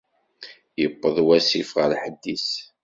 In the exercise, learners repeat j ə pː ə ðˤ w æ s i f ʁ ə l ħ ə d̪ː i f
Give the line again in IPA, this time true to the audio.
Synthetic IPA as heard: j ə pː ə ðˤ w æ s i f ʁ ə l ħ ə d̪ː i s